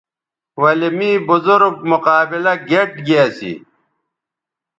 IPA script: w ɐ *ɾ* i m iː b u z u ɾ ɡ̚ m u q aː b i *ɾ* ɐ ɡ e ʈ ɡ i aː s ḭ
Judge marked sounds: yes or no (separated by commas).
no, no